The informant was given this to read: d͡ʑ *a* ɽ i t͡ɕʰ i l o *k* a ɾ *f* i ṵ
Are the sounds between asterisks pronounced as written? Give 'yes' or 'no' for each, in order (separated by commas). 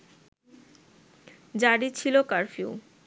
yes, yes, yes